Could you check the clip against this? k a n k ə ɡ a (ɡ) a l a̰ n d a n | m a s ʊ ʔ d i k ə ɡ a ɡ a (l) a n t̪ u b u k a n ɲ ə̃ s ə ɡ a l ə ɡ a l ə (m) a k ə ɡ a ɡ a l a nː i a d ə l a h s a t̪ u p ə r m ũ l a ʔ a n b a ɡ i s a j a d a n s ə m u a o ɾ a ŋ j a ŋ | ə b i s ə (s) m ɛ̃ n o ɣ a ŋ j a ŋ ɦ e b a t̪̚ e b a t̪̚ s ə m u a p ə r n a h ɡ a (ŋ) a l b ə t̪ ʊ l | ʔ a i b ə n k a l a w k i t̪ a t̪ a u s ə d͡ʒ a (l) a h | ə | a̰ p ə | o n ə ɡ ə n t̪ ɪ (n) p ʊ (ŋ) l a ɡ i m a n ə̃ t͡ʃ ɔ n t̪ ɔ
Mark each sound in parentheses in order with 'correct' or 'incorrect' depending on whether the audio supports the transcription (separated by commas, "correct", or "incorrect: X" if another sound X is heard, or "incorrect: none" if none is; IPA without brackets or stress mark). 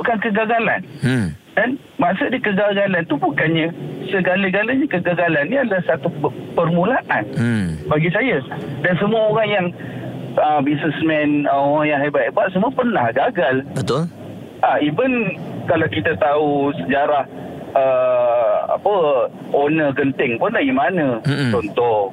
correct, correct, incorrect: ɲ, correct, incorrect: ɡ, incorrect: ɾ, incorrect: ŋ, incorrect: n